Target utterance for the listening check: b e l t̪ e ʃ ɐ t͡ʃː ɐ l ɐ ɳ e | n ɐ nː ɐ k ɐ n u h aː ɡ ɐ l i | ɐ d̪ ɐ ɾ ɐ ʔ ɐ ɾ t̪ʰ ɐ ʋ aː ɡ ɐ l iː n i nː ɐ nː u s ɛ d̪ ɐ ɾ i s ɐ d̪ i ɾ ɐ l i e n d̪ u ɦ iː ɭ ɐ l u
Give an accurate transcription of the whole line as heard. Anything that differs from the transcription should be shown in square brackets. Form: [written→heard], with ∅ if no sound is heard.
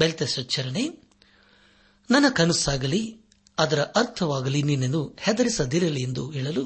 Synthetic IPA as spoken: b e l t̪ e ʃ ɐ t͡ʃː ɐ [l→ɾ] ɐ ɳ e | n ɐ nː ɐ k ɐ n u [h→s] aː ɡ ɐ l i | ɐ d̪ ɐ ɾ ɐ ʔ ɐ ɾ t̪ʰ ɐ ʋ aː ɡ ɐ l [iː→i] n i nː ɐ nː u [s→h] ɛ d̪ ɐ ɾ i s ɐ d̪ i ɾ ɐ l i e n d̪ u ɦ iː ɭ ɐ l u